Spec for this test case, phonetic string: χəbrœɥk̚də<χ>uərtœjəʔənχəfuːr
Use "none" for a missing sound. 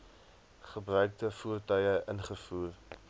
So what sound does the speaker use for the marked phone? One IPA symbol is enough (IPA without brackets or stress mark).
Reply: f